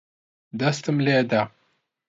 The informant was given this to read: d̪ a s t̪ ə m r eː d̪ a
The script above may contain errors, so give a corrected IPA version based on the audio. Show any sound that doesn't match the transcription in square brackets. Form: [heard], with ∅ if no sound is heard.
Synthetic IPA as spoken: d̪ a s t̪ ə m [l] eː d̪ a